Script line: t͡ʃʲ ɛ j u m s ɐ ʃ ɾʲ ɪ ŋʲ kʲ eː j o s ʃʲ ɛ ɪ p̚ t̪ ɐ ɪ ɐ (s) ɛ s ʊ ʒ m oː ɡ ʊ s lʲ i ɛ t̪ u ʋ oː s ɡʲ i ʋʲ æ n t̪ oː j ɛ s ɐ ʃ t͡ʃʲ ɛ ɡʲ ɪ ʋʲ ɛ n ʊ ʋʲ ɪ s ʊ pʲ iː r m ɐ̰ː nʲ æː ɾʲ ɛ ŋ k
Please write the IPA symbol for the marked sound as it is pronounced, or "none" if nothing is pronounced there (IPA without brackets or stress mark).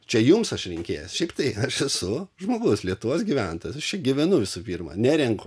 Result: ʃ